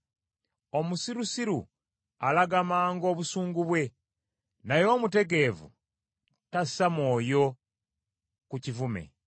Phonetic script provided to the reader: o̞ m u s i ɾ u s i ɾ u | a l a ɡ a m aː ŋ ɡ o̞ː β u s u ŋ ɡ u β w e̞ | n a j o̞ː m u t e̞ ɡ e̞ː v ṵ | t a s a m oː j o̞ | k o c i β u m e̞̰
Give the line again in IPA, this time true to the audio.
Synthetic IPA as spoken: o̞ m u s i ɾ u s i ɾ u | a l a ɡ a m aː ŋ ɡ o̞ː β u s uː ŋ ɡ u β w e̞ | n a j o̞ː m u t e̞ ɡ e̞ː v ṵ | t a s a m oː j o̞ | k u c i v u m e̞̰